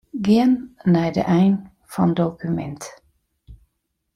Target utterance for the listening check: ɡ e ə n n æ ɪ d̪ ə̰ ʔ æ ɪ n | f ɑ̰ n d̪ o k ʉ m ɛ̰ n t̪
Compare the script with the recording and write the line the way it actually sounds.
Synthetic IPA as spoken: ɡ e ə n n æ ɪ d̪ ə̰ ʔ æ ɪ n | f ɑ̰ n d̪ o k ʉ m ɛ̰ n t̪